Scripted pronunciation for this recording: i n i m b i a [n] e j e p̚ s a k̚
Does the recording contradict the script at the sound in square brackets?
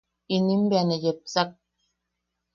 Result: no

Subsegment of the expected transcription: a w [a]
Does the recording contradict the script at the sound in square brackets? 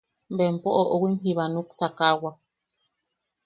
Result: no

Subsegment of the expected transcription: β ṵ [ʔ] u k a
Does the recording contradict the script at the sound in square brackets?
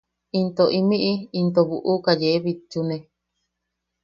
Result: no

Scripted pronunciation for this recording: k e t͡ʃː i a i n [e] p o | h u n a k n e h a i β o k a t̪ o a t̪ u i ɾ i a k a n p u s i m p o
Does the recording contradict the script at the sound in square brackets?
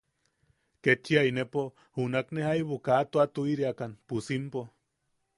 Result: no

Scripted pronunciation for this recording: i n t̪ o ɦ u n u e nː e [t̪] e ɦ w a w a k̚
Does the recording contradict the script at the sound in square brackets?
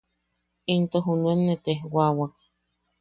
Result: no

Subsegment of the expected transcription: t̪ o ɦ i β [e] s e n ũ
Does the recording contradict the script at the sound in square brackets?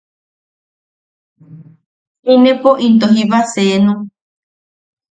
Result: yes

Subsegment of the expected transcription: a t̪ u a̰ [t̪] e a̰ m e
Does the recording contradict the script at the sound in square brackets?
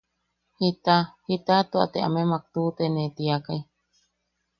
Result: no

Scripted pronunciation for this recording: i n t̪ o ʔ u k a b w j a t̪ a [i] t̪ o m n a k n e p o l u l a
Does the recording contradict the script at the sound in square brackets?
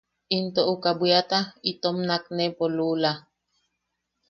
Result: no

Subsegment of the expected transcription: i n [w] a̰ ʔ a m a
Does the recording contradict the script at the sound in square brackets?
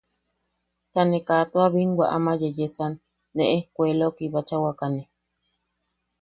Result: no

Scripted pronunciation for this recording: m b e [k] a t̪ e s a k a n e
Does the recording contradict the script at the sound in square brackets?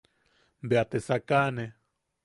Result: yes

